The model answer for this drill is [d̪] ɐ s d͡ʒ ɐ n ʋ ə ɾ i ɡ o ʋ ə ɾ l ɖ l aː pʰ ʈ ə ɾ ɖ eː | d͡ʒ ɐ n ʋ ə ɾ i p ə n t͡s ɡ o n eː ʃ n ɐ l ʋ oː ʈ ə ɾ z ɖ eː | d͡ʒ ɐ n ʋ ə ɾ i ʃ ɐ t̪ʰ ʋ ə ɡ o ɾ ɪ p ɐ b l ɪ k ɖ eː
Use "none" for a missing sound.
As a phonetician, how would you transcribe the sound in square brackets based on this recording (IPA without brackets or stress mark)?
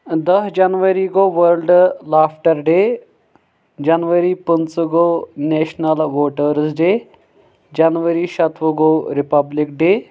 d̪